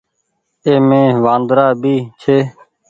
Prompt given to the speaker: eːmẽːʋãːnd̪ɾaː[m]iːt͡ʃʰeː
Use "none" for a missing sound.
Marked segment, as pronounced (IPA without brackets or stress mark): b